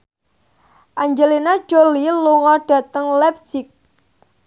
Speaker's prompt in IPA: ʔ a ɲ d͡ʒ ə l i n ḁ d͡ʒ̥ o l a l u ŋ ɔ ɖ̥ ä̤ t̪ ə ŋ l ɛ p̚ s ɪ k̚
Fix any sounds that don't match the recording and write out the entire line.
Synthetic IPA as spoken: ʔ a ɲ d͡ʒ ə l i n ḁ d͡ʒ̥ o l i l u ŋ ɔ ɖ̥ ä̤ t̪ ə ŋ l ɛ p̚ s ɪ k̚